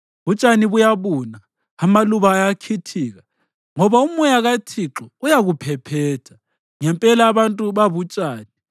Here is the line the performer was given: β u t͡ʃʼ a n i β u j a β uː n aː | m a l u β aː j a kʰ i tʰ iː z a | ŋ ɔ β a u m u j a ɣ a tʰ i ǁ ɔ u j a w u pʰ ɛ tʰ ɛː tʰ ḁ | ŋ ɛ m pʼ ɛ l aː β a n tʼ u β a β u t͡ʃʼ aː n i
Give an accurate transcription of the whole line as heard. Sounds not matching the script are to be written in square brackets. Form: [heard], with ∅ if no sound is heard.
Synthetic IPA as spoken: β u t͡ʃʼ a n i β u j a β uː n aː | m a l u β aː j a kʰ i tʰ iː [ɣ] a | ŋ ɔ β a u m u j a ɣ a tʰ i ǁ ɔ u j a [ɣ] u pʰ ɛ [pʰ] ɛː tʰ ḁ | ŋ ɛ m pʼ ɛ l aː β a n tʼ u β a β u t͡ʃʼ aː n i